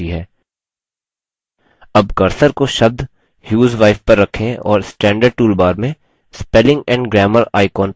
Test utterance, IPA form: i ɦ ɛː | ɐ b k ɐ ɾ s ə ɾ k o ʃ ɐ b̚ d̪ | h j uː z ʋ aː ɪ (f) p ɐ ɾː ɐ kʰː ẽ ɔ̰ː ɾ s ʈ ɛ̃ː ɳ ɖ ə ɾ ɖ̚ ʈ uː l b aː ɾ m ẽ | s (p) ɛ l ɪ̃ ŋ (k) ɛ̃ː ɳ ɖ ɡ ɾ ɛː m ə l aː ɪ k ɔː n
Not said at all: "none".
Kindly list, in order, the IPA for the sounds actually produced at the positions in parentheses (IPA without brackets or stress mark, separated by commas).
f, p, ɡ